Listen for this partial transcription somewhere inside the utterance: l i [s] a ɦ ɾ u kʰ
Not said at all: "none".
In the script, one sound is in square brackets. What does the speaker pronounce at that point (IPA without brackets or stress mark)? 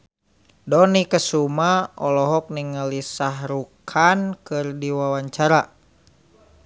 s